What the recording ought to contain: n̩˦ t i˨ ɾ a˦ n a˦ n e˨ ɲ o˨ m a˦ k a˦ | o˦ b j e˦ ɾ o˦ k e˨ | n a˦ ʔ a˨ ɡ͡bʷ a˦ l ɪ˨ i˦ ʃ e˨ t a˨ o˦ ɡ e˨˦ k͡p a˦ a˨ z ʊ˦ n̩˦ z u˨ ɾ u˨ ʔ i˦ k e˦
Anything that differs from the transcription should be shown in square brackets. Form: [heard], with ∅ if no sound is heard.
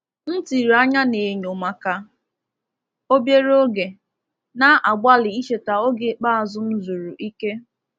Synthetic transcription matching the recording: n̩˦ t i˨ ɾ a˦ [ɲ] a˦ n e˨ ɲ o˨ m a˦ k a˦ | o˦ b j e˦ ɾ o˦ [ɡ] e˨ | n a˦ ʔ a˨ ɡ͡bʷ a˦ l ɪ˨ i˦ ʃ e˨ t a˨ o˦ ɡ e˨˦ k͡p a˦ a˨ z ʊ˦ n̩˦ z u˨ ɾ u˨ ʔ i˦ k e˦